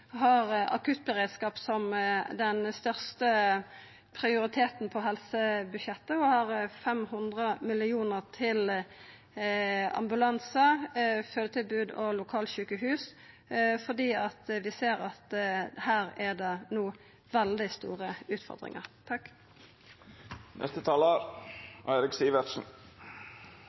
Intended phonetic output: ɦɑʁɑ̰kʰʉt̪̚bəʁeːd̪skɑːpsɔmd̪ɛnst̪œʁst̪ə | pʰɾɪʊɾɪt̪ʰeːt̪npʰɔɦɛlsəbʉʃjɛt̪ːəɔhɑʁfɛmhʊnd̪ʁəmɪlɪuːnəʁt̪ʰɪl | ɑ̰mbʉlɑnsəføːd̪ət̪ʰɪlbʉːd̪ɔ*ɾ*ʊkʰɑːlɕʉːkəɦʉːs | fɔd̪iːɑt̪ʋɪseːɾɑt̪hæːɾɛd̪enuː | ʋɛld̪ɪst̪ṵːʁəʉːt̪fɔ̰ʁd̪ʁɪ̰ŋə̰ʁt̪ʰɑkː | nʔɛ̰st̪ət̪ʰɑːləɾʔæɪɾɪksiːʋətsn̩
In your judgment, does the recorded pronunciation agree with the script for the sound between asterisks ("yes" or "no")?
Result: no